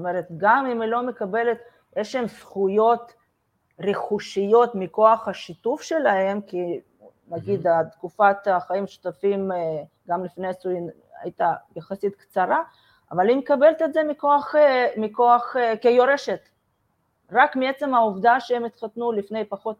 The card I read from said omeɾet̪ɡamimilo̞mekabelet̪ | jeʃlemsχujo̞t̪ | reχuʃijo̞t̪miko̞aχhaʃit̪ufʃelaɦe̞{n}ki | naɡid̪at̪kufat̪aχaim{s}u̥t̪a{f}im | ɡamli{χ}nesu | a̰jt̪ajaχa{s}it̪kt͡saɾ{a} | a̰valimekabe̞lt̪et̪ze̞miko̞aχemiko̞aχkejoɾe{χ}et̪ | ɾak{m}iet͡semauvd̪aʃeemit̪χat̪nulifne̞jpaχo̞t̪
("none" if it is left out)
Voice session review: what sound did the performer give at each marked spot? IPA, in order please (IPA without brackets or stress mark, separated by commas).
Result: m, ʃ, f, f, s, a, ʃ, m